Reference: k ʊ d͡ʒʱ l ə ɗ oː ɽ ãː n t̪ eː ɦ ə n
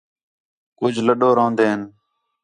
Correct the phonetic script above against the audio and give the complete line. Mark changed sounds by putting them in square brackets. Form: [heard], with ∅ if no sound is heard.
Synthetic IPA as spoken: k ʊ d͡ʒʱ l ə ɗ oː [ɾ] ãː n [d̪] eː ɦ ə n